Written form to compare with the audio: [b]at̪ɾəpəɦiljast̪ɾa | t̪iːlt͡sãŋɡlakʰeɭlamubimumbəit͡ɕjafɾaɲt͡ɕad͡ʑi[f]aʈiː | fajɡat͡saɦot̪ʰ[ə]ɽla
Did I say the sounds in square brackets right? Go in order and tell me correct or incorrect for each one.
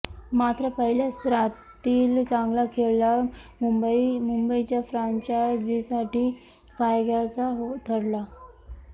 incorrect, incorrect, correct

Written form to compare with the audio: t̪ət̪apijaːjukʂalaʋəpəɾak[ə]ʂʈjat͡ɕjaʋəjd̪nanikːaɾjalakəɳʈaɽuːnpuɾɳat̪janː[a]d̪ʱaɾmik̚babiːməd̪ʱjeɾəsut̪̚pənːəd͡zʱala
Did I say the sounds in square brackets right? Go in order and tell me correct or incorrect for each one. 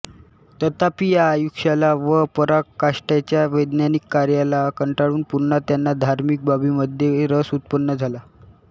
incorrect, correct

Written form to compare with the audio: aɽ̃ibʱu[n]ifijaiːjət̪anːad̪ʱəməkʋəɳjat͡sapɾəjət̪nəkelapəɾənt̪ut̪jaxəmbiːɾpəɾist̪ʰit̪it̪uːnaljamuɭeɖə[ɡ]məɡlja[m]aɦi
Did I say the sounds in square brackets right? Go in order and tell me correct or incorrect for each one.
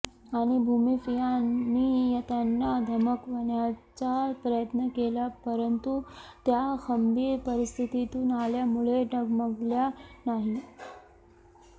incorrect, correct, incorrect

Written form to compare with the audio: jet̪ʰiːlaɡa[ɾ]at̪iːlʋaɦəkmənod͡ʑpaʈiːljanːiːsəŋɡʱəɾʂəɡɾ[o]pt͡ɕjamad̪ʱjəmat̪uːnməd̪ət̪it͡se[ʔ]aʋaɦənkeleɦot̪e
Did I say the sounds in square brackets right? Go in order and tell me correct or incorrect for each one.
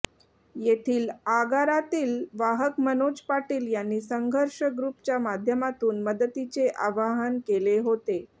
correct, incorrect, correct

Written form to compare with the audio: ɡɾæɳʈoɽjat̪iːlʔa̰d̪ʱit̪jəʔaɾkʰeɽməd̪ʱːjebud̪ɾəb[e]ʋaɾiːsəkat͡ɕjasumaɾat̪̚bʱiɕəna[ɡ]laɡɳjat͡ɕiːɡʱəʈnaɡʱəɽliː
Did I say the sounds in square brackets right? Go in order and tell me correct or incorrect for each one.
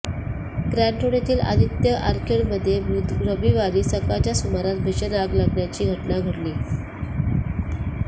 incorrect, correct

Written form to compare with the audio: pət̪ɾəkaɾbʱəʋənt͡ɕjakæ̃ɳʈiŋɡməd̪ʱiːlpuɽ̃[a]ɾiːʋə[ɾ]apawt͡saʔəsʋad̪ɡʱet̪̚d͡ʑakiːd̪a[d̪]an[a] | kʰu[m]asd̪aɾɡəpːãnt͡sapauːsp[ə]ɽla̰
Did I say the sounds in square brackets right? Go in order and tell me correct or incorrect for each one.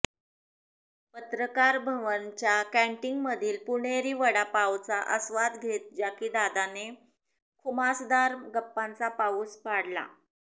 incorrect, incorrect, correct, incorrect, correct, incorrect

